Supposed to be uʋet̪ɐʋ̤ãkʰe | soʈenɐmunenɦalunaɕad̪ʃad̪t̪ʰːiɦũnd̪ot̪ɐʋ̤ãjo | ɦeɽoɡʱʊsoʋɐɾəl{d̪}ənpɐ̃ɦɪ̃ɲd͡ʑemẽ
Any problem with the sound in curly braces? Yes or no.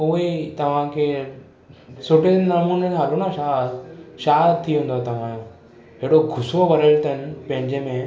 yes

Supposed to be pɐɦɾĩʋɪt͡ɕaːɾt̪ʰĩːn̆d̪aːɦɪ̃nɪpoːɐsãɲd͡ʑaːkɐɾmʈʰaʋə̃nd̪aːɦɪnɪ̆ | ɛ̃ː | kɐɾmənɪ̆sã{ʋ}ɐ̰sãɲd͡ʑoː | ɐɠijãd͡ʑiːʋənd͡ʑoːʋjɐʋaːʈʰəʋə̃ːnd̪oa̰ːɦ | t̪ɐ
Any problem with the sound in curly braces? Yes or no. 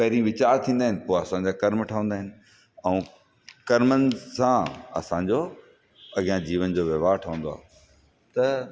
yes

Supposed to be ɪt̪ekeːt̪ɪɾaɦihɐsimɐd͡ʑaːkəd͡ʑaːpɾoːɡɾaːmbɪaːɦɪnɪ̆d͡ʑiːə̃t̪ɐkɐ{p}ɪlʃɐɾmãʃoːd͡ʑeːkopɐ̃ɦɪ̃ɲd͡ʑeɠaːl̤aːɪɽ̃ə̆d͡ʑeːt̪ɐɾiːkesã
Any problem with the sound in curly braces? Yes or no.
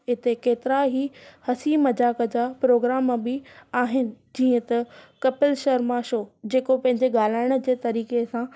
no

